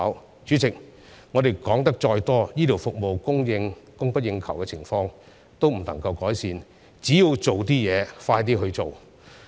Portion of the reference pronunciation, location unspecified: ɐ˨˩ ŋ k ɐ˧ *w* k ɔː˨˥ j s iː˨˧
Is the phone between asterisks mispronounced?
no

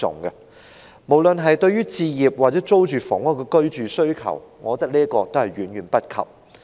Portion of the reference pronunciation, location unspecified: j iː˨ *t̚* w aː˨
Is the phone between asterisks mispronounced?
yes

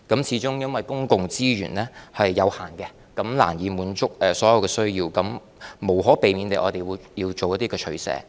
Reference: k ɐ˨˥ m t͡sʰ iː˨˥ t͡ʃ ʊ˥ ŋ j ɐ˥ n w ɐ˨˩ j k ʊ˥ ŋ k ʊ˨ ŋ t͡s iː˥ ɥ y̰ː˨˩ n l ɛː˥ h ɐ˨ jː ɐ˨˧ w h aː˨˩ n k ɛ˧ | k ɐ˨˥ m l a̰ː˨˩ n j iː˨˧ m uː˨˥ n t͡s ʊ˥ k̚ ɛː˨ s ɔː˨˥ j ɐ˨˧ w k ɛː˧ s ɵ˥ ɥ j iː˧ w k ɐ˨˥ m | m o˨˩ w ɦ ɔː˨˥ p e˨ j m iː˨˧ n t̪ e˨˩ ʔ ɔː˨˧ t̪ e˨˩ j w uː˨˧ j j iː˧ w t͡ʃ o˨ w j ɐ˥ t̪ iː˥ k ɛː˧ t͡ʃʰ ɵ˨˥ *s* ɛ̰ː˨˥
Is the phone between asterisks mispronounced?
no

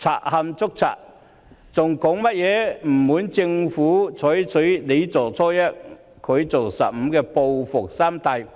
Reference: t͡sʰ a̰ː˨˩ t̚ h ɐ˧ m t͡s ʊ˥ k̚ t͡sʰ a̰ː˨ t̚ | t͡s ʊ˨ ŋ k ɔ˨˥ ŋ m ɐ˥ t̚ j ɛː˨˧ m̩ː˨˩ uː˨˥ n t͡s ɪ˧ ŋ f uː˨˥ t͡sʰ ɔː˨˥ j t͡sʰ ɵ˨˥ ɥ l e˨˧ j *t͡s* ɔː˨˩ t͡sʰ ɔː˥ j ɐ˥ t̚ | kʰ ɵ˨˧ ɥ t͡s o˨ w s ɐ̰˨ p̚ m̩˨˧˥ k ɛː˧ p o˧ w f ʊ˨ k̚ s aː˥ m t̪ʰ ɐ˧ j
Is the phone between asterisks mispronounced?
no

